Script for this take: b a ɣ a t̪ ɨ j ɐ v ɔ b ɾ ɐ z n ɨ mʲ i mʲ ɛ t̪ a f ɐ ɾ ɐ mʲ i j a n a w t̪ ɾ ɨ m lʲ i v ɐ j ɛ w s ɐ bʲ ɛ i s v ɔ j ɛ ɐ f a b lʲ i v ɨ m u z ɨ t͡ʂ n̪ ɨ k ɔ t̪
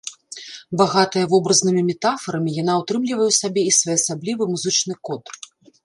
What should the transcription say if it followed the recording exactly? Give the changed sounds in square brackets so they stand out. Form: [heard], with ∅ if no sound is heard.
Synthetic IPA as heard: b a ɣ a t̪ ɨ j ɐ v ɔ b ɾ ɐ z n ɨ mʲ i mʲ ɛ t̪ a f ɐ ɾ ɐ mʲ i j a n a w t̪ ɾ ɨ m lʲ i v ɐ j ɛ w s [a] bʲ ɛ i s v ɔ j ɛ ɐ [s] a b lʲ i v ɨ m u z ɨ t͡ʂ n̪ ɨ k ɔ t̪